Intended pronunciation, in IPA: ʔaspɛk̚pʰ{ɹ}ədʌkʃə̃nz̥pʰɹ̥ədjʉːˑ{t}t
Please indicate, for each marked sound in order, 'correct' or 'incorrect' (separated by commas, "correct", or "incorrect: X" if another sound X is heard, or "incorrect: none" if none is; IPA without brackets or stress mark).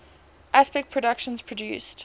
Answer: correct, incorrect: s